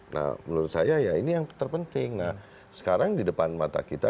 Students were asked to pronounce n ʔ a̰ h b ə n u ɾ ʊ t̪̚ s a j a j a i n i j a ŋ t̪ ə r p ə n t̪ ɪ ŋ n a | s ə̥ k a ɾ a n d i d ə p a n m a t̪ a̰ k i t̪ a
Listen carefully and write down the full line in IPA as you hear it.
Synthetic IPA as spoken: n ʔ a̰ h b ə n u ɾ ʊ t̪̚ s a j a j a i n i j a ŋ t̪ ə r p ə n t̪ ɪ ŋ n a | s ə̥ k a ɾ a ŋ d i d ə p a n m a t̪ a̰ k i t̪ a